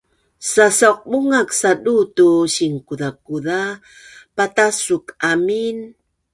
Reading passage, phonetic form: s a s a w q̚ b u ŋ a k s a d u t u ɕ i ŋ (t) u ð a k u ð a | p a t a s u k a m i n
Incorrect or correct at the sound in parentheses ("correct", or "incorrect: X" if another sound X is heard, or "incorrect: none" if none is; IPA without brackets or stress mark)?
incorrect: k